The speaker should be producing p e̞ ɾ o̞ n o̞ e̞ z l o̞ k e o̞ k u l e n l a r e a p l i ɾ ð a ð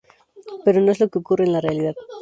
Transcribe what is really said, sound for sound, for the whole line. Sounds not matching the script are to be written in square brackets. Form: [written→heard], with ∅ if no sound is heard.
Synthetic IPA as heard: p e̞ ɾ o̞ n o̞ e̞ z l o̞ k e o̞ k u [l→r] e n l a r e a [p→∅] l i [ɾ→∅] ð a ð